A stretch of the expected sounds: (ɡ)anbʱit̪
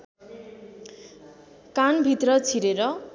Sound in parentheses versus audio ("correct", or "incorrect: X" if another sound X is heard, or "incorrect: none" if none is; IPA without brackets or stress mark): incorrect: k